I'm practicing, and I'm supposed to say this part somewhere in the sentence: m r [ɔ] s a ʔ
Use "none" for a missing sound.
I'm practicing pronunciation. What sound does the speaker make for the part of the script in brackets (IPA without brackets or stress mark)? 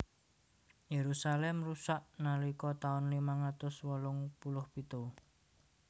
u